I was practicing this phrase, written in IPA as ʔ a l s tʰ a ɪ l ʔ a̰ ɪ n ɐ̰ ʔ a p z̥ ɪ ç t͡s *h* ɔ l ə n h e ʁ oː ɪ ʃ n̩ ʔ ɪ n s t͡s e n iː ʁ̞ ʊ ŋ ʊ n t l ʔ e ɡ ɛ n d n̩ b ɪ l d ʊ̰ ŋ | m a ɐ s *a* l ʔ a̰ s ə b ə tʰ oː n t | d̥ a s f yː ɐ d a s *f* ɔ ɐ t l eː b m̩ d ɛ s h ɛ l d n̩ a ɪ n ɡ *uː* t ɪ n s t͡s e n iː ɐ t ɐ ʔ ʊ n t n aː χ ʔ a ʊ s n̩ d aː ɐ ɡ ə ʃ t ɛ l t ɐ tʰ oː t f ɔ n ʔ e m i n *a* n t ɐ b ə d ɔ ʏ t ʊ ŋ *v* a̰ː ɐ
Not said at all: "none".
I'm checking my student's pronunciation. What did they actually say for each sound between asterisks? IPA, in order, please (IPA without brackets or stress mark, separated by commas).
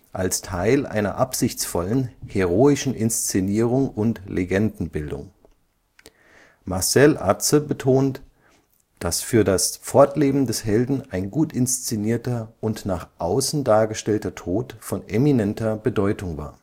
f, ɛ, f, uː, ɛ, v